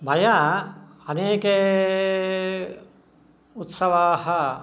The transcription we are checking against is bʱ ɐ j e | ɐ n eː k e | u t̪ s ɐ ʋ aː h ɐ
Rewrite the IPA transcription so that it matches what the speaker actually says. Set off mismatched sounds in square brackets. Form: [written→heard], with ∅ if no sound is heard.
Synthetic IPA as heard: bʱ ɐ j [e→a] | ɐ n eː k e | u t̪ s ɐ ʋ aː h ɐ